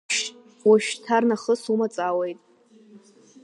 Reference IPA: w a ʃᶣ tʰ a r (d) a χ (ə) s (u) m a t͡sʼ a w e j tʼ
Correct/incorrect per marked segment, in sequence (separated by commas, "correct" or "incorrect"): incorrect, correct, correct